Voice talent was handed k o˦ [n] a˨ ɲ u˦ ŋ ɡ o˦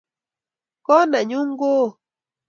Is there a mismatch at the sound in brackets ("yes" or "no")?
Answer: no